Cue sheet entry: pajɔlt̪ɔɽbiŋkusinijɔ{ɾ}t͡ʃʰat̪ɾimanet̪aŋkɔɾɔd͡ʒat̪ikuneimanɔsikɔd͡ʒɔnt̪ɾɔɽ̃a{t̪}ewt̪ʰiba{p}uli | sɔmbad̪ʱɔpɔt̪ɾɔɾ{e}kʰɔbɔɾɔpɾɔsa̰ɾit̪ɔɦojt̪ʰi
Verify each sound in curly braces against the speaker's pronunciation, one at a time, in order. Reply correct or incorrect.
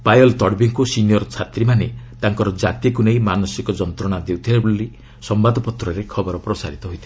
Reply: correct, incorrect: d̪, incorrect: b, correct

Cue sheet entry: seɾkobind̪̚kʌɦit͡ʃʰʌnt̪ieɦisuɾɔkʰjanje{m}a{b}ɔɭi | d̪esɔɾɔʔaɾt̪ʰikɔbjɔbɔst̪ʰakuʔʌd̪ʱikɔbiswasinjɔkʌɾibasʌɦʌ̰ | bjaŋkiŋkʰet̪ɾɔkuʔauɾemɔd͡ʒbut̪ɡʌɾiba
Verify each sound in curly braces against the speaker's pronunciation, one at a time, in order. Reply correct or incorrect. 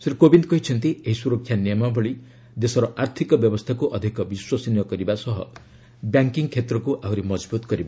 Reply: correct, correct

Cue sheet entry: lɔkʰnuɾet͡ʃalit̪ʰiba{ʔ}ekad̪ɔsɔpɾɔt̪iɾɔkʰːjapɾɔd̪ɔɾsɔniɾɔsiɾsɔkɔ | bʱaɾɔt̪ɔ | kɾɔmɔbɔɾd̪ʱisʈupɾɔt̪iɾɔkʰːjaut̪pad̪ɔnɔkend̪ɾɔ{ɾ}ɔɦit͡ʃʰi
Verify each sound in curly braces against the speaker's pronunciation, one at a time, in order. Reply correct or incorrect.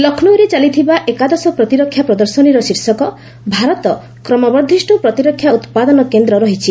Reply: correct, correct

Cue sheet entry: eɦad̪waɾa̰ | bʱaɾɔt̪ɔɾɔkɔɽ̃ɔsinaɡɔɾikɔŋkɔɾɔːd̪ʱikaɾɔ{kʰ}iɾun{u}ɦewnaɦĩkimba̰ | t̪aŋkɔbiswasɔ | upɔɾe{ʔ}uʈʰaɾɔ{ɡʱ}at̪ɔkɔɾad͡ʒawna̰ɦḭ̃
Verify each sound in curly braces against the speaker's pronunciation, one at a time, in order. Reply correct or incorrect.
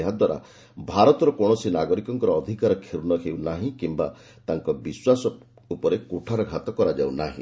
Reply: correct, incorrect: ɔ, incorrect: k, correct

